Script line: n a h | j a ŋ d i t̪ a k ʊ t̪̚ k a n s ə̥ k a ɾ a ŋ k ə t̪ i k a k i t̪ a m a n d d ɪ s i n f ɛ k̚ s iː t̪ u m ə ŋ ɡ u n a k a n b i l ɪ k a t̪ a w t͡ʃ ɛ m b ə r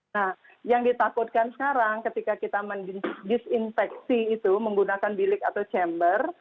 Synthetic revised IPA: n a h | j a ŋ d i t̪ a k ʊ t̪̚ k a n s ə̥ k a ɾ a ŋ k ə t̪ i k a k i t̪ a m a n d d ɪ s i n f ɛ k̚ s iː t̪ u m ə ŋ ɡ u n a k a n b i l ɪ k a t̪ a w t͡ʃ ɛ m b ə r